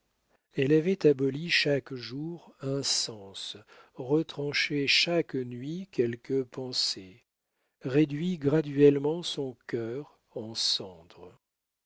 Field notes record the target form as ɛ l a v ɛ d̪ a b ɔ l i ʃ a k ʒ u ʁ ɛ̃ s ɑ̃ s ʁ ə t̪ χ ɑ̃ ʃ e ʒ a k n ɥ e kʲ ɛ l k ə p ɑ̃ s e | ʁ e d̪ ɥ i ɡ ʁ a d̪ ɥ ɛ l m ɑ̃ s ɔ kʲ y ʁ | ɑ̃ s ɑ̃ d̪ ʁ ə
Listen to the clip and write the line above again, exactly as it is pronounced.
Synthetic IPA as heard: ɛ l a v ɛ t̪ a b ɔ l i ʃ a k ʒ u ʁ ɛ̃ s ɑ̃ s ʁ ə t̪ χ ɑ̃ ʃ e ʃ a k n ɥ i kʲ ɛ l k ə p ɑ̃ s e | ʁ e d̪ ɥ i ɡ ʁ a d̪ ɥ ɛ l m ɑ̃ s ɔ̃ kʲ œ ʁ | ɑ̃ s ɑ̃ d̪ ʁ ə